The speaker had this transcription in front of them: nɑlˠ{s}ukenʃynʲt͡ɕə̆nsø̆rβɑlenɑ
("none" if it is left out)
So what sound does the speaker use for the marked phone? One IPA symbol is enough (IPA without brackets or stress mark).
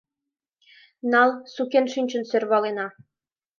s